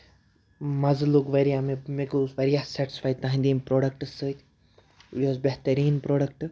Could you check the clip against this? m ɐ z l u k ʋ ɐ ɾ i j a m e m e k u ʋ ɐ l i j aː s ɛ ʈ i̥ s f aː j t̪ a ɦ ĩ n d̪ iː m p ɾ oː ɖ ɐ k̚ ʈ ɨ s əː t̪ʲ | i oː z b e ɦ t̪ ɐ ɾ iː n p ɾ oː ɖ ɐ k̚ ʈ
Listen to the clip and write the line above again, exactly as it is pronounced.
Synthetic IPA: m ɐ z l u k ʋ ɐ ɾ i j a m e m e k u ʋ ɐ ɾ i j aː s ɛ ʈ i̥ s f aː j t̪ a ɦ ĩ n d̪ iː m p ɾ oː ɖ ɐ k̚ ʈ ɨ s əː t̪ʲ | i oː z b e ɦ t̪ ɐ ɾ iː n p ɾ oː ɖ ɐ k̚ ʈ